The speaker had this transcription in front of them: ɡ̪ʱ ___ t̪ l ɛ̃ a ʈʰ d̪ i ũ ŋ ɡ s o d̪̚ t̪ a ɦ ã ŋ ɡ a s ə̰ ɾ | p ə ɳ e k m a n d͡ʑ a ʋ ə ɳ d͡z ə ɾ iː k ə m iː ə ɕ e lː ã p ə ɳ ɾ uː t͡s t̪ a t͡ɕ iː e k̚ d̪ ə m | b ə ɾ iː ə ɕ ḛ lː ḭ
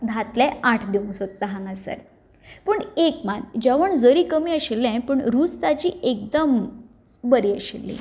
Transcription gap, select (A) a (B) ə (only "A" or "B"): A